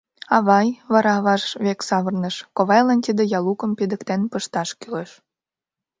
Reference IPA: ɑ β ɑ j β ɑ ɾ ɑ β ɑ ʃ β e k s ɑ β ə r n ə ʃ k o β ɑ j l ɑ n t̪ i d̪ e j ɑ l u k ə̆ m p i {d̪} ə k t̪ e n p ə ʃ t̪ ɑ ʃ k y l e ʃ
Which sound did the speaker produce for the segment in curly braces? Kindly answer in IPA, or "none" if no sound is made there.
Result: d̪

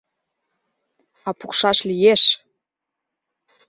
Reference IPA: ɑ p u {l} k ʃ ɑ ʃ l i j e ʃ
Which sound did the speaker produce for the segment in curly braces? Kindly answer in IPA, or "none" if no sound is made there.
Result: none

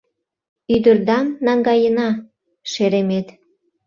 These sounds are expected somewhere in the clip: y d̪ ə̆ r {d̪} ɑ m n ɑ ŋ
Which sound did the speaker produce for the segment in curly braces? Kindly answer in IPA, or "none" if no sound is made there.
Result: d̪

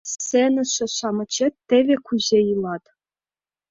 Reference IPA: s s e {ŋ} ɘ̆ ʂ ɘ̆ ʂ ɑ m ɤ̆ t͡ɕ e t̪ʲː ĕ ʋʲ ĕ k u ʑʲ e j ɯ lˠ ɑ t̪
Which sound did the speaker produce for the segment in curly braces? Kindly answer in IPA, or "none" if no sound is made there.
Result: n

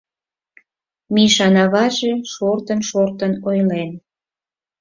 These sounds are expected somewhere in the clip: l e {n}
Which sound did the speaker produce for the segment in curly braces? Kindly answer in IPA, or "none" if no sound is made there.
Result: n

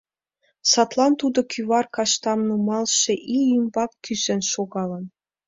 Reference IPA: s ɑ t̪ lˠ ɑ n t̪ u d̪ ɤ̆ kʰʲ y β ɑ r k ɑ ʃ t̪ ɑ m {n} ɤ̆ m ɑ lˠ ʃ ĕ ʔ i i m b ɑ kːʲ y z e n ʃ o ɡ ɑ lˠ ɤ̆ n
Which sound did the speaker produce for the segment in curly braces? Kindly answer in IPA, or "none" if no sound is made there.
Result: n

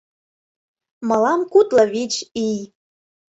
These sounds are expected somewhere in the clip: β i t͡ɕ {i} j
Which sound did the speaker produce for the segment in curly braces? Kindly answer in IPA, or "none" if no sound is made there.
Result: i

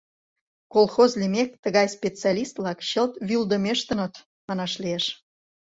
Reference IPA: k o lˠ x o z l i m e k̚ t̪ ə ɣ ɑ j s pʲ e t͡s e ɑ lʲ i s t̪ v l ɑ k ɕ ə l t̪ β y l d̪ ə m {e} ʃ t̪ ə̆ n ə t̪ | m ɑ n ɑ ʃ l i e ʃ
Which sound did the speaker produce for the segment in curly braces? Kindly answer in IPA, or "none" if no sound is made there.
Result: e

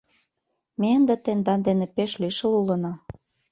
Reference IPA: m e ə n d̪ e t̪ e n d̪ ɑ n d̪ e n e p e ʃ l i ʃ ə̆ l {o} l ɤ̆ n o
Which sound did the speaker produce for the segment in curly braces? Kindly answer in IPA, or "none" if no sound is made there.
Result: u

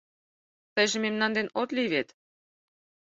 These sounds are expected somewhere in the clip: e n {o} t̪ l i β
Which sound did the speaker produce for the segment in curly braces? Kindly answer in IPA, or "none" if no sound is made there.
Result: o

